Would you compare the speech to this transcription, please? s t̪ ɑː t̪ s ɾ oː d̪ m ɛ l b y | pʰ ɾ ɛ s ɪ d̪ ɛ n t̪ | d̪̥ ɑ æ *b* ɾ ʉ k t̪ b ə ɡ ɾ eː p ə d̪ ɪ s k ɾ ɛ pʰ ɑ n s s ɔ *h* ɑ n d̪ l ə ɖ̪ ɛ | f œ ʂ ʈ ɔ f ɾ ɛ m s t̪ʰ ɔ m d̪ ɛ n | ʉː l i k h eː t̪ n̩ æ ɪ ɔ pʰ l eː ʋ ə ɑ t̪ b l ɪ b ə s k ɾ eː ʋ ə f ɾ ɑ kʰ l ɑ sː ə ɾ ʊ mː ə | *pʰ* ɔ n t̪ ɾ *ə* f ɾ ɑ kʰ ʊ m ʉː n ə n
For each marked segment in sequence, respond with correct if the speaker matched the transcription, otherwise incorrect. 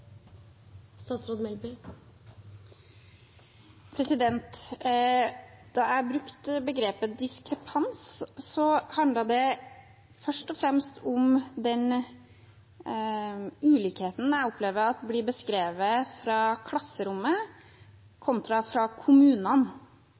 correct, correct, incorrect, incorrect

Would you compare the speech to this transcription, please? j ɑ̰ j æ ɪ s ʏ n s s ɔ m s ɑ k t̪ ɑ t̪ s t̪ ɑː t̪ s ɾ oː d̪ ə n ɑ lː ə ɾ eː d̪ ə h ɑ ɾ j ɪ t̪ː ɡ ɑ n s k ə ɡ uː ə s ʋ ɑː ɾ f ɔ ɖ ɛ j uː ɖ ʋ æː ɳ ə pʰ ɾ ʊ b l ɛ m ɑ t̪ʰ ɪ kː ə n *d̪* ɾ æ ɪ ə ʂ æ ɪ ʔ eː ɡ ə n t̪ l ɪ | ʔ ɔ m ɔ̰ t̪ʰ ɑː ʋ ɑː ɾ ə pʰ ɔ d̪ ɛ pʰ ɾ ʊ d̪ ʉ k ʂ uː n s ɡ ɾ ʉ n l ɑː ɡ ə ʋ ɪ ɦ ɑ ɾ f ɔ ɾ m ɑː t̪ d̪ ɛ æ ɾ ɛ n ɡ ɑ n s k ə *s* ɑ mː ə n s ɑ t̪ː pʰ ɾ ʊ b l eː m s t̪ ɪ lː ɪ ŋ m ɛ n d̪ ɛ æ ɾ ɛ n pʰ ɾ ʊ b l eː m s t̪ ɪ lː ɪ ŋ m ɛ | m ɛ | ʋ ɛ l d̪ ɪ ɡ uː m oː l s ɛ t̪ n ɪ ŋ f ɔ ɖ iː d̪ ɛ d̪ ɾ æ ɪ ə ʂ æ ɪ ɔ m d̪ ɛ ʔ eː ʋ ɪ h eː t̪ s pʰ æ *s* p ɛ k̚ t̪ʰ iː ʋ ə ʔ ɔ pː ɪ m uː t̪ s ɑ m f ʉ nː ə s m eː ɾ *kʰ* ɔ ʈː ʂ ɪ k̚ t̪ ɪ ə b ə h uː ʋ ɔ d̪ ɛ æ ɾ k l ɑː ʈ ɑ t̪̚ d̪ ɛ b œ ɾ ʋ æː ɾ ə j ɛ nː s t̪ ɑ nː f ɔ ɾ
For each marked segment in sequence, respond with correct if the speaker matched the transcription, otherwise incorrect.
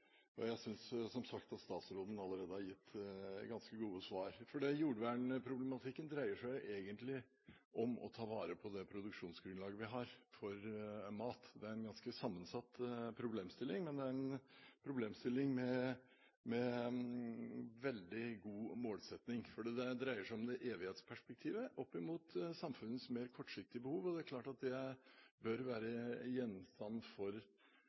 correct, correct, incorrect, correct

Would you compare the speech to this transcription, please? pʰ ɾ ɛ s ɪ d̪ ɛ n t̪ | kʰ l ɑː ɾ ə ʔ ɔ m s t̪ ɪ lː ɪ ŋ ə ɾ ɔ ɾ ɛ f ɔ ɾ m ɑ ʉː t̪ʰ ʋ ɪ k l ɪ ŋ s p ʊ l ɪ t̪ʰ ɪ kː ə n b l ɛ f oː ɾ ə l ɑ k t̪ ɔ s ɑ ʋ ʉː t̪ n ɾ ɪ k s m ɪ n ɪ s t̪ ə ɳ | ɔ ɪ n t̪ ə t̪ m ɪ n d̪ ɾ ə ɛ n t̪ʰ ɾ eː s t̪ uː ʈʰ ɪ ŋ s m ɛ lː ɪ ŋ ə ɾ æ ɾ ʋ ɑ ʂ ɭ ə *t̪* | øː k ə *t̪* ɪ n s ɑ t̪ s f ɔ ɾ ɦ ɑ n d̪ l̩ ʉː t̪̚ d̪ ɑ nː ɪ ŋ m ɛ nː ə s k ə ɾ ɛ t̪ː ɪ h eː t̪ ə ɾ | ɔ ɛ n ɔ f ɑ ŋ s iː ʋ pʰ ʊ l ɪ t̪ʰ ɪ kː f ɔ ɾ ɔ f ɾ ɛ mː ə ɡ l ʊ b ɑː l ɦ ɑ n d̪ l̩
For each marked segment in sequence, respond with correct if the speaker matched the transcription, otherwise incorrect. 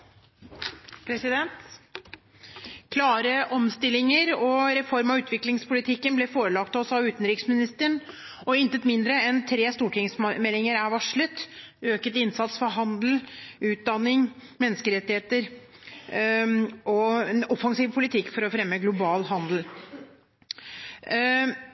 correct, correct

